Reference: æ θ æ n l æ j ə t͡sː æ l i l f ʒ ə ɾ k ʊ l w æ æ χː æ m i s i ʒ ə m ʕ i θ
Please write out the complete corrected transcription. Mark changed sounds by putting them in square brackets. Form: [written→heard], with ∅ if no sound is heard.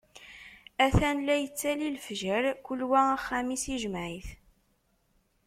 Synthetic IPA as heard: æ θ æ n l æ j ə t͡sː æ l i l f ʒ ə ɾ k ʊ l w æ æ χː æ m i s i ʒ ə m ʕ i θ